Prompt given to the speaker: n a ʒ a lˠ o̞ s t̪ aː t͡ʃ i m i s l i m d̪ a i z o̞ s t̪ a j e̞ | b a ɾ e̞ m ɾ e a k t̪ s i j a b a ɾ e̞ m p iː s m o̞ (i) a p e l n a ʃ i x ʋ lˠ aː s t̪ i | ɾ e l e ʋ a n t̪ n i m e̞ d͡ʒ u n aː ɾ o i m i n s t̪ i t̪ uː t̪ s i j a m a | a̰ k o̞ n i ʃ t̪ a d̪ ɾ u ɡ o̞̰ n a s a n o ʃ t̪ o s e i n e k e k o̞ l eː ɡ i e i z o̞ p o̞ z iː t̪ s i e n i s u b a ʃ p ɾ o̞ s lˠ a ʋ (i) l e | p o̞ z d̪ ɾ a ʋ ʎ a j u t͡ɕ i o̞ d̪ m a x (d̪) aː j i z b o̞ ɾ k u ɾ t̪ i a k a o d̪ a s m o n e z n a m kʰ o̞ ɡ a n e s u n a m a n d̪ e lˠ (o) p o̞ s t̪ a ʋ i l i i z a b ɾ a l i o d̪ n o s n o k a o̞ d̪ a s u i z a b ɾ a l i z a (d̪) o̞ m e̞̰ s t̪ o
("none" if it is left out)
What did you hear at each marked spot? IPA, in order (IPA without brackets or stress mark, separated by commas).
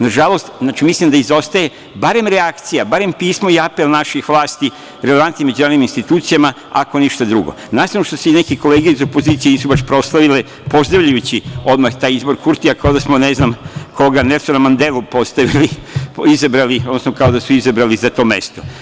i, i, t̪, u, t̪